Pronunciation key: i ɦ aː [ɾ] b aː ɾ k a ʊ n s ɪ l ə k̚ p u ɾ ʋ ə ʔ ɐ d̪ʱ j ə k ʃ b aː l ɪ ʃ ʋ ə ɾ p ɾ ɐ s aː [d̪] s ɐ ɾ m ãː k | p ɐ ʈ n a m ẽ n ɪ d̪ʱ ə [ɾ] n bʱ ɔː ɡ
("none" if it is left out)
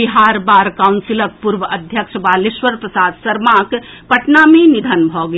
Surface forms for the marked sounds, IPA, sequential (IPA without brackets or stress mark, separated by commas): ɾ, d̪, none